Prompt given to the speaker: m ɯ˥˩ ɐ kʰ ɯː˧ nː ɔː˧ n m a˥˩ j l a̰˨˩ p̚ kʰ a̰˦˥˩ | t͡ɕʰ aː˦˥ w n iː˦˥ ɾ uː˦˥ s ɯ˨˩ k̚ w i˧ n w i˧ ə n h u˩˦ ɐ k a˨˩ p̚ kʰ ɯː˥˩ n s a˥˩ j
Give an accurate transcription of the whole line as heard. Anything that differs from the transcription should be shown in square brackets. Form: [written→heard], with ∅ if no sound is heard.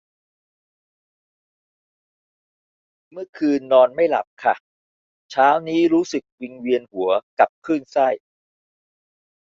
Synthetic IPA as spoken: m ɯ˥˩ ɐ kʰ ɯː˧ nː ɔː˧ n m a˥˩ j l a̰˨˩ p̚ kʰ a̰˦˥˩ | t͡ɕʰ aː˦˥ w n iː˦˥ ɾ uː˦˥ s ɯ˨˩ k̚ w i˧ [n→ŋ] w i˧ ə n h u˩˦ ɐ k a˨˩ p̚ kʰ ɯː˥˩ n s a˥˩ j